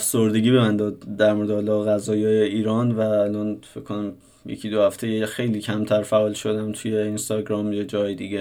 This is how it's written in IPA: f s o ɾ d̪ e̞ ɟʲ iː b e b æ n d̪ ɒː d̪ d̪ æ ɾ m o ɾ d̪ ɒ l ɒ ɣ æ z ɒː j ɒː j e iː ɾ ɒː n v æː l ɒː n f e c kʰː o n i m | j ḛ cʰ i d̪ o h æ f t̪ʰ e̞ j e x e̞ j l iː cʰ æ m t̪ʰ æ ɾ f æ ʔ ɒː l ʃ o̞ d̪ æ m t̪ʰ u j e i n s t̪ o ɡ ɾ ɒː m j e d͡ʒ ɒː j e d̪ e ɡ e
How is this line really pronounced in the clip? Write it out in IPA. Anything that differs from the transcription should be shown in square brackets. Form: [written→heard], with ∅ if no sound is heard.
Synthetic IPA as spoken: f s o ɾ d̪ e̞ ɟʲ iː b e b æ n d̪ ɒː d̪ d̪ æ ɾ m o ɾ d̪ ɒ l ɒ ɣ æ z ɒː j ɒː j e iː ɾ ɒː n v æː l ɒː n f e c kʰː o n [i→æ] m | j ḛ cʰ i d̪ o h æ f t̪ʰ e̞ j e x e̞ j l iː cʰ æ m t̪ʰ æ ɾ f æ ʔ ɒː l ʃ o̞ d̪ æ m t̪ʰ u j e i n s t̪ [o→ɒ] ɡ ɾ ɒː m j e d͡ʒ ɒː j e d̪ [e→i] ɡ e